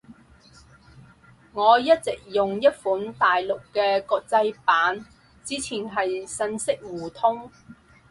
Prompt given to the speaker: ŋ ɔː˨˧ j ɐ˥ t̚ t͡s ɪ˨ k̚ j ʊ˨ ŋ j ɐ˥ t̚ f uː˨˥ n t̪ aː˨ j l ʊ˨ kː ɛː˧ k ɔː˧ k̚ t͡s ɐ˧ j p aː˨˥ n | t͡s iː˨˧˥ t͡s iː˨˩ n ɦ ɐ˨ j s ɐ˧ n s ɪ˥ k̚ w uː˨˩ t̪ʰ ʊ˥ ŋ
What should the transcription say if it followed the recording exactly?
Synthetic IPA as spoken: ŋ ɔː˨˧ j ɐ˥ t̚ t͡s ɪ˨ k̚ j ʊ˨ ŋ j ɐ˥ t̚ f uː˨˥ n t̪ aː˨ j l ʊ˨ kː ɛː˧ k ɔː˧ k̚ t͡s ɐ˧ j p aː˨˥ n | t͡s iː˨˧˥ t͡sʰ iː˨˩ n ɦ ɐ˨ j s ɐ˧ n s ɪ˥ k̚ w uː˨˩ t̪ʰ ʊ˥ ŋ